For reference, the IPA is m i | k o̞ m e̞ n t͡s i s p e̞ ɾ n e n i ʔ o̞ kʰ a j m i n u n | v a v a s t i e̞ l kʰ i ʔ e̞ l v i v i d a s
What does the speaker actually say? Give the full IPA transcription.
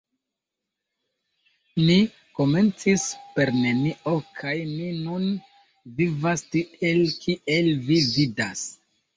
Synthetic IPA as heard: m i | k o̞ m e̞ n t͡s i s p e̞ ɾ n e n i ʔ o̞ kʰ a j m i n u n | v i v a s t i e̞ l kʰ i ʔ e̞ l v i v i d a s